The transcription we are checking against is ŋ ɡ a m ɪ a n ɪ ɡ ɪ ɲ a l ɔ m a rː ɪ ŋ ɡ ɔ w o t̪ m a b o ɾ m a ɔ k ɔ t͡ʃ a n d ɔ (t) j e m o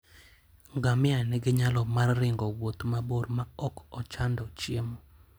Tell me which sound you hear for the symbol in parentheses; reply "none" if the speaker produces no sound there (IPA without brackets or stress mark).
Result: t͡ʃ